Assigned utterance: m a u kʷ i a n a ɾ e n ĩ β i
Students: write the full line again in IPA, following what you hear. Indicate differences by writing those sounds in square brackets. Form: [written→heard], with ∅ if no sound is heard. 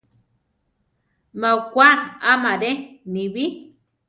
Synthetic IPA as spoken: m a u kʷ [i→a] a [n→m] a ɾ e n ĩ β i